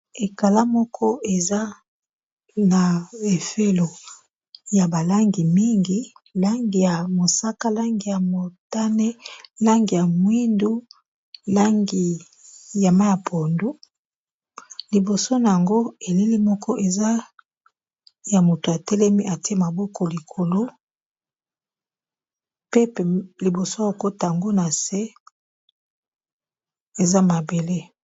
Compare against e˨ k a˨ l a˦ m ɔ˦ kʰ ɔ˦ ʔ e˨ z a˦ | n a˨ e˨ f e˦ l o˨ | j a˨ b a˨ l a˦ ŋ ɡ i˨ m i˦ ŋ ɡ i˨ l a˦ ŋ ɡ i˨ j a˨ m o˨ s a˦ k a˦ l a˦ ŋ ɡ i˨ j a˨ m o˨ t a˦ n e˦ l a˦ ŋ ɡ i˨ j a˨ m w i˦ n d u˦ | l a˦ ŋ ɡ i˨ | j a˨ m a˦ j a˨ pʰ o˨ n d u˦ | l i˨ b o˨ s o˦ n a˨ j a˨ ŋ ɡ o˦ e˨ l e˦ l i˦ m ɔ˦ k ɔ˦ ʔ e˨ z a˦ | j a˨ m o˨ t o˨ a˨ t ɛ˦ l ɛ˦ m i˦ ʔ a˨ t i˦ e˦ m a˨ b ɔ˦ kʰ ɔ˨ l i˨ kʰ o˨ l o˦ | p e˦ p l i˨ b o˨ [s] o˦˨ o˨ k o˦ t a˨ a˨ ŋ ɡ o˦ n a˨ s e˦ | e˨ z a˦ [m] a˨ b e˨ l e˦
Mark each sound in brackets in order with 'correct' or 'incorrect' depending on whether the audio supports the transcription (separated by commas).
correct, correct